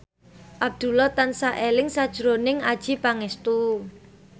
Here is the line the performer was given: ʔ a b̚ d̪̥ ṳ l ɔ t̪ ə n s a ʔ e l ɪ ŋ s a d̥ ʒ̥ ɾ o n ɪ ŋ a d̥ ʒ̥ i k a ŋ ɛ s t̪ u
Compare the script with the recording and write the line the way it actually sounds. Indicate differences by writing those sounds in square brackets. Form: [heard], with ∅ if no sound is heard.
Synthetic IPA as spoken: ʔ a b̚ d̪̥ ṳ l ɔ t̪ [a] n s a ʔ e l ɪ ŋ s a d̥ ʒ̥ ɾ o n ɪ ŋ a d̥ ʒ̥ i [p] a ŋ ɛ s t̪ u